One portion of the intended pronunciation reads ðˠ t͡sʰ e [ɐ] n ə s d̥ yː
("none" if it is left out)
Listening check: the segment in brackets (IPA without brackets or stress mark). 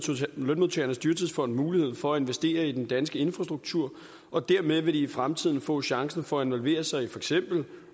ɐ